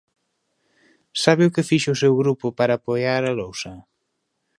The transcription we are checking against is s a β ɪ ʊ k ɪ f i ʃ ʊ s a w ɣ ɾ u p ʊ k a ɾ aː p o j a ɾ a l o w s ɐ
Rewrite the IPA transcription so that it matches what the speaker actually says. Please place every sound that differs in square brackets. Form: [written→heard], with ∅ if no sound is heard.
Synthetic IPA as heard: s a β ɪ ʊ k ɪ f i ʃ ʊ s [a→e] w ɣ ɾ u p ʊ [k→p] a ɾ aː p o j a ɾ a l o w s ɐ